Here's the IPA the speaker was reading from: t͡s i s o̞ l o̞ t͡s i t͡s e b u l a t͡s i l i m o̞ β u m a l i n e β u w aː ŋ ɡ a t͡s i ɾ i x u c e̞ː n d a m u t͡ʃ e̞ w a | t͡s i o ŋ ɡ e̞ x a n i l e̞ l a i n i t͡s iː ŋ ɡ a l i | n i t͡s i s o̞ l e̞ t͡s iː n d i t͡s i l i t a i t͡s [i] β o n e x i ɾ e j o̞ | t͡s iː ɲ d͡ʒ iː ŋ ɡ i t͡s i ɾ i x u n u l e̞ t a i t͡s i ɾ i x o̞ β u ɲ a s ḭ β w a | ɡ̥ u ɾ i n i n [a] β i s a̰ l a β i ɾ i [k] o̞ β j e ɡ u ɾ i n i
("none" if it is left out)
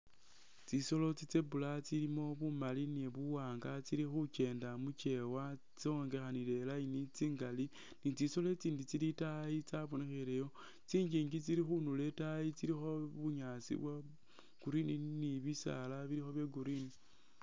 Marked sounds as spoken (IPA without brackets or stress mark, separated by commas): a, i, x